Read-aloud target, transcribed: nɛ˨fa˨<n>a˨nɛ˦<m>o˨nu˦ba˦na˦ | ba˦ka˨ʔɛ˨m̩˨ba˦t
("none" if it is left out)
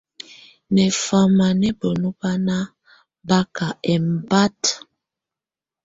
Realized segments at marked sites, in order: m, b

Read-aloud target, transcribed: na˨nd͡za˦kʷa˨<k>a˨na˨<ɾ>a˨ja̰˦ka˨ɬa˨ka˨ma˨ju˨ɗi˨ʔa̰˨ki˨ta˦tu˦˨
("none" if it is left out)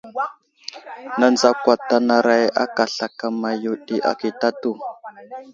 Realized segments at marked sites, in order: t, ɾ

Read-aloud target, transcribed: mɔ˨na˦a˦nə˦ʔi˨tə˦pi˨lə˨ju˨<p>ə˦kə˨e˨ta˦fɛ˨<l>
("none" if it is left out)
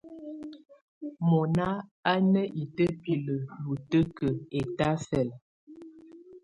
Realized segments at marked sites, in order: t, l

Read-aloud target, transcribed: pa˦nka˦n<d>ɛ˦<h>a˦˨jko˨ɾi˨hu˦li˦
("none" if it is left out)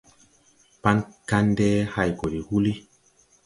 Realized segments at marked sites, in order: d, h

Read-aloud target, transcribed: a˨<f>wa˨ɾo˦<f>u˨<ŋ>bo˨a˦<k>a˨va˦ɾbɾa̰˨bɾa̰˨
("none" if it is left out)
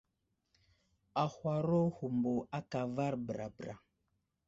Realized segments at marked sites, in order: h, h, m, k

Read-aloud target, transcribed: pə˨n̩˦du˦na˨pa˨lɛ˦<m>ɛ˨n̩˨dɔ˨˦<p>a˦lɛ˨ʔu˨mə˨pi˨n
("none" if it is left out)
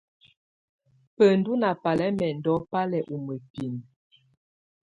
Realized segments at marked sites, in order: m, p

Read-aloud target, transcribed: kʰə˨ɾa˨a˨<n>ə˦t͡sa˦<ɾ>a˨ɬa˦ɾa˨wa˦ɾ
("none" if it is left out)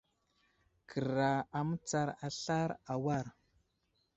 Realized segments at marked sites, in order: m, ɾ

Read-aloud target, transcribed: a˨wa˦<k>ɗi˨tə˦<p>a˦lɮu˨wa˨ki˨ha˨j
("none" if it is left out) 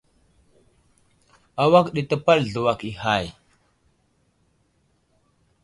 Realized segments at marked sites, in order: k, p

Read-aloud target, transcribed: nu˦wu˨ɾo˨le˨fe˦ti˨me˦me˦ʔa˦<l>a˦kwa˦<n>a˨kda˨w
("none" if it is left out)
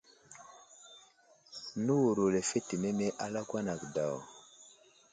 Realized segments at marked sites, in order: l, n

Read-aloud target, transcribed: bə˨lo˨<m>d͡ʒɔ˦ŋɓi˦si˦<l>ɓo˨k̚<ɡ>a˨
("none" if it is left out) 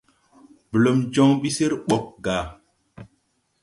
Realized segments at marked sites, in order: m, ɾ, ɡ

